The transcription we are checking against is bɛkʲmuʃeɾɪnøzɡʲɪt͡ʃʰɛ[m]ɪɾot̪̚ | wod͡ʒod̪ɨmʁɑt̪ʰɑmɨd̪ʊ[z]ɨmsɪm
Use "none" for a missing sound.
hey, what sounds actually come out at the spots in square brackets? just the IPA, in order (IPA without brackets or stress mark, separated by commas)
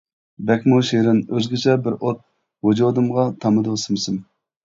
b, s